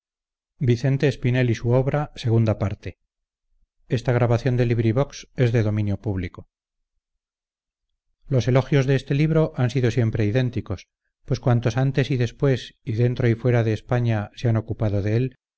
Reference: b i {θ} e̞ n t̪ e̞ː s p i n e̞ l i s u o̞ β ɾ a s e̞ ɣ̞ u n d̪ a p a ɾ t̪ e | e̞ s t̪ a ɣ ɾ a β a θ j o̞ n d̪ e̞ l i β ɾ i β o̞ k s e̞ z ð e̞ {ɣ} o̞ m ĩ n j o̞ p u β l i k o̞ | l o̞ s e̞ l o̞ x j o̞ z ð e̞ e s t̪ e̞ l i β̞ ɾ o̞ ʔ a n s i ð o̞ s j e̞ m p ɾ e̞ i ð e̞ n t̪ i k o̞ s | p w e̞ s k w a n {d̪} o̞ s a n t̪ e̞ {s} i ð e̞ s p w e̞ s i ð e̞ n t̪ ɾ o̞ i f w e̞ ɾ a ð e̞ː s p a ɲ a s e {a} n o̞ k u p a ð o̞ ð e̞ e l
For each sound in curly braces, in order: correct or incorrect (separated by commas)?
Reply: correct, incorrect, incorrect, correct, correct